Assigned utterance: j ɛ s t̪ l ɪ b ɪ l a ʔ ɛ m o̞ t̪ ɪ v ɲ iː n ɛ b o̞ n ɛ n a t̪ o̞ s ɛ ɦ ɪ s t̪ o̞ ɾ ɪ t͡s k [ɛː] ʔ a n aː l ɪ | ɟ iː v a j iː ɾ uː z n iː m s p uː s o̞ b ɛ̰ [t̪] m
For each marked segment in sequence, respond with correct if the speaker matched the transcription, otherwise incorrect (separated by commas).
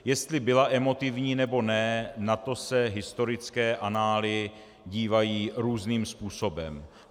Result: correct, incorrect